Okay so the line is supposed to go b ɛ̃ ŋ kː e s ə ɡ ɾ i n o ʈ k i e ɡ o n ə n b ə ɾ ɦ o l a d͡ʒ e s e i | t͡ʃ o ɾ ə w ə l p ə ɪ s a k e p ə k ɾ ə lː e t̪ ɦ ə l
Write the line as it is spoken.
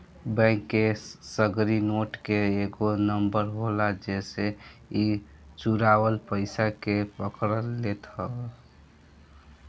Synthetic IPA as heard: b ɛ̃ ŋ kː e s ə ɡ ɾ i n o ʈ k e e ɡ o n ə m b ə ɾ ɦ o l a d͡ʒ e s e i | t͡ʃ u ɾ a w ə l p ə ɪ s a k e p ə k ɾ ə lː e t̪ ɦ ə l